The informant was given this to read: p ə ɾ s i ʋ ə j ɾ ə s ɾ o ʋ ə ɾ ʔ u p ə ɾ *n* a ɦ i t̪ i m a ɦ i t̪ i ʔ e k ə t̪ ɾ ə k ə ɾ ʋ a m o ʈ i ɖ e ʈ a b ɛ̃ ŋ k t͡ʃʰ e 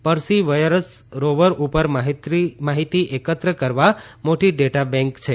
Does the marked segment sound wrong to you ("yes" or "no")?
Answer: yes